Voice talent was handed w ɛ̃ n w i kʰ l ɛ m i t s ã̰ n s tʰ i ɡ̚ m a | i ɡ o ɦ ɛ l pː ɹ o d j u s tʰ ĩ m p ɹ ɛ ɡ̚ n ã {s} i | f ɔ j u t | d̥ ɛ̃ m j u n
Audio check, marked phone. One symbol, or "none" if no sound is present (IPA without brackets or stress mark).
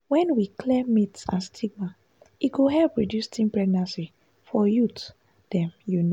s